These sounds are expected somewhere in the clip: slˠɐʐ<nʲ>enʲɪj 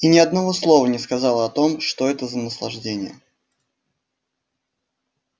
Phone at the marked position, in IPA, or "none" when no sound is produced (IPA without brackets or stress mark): dʲ